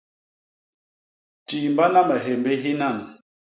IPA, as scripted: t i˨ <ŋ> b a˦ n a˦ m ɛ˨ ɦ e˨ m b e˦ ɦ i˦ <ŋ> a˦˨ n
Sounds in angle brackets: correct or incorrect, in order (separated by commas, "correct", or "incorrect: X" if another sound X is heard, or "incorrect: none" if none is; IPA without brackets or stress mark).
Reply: incorrect: m, incorrect: n